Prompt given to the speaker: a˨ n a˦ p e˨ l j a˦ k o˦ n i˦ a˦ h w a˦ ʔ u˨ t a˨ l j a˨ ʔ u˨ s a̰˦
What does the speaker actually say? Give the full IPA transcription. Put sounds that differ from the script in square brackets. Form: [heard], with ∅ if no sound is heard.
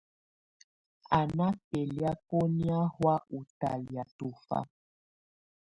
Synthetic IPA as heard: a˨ n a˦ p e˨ l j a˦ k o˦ n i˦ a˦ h w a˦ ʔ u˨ t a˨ l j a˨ [t] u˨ [f] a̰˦